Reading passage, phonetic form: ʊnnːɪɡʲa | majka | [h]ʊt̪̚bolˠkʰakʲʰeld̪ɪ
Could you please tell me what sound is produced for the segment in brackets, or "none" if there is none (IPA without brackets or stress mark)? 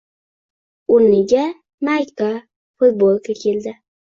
f